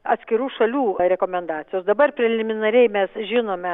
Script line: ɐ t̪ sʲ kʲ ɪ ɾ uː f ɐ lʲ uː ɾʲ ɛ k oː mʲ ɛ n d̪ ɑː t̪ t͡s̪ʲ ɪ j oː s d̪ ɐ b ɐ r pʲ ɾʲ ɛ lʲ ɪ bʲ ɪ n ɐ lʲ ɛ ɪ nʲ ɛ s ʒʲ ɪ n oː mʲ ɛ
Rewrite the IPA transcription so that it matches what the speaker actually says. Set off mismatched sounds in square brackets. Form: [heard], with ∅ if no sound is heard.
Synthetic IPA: ɐ t̪ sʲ kʲ ɪ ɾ uː [ʃ] ɐ lʲ uː ɾʲ ɛ k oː mʲ ɛ n d̪ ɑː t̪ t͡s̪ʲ ɪ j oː s d̪ ɐ b ɐ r pʲ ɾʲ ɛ lʲ ɪ [mʲ] ɪ n ɐ [ɾʲ] ɛ ɪ [mʲ] ɛ s ʒʲ ɪ n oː mʲ ɛ